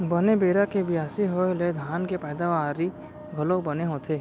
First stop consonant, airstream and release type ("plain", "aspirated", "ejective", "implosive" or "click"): plain